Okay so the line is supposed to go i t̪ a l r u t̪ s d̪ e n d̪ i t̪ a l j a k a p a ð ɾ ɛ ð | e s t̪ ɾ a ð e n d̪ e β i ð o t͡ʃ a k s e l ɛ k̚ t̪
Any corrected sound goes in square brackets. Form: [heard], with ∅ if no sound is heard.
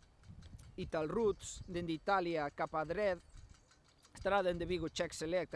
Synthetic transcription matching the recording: i t̪ a l r u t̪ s d̪ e n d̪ i t̪ a l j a k a p a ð ɾ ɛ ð | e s t̪ ɾ a ð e n d̪ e β i [ɣ] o t͡ʃ [ɛ] k s e l ɛ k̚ t̪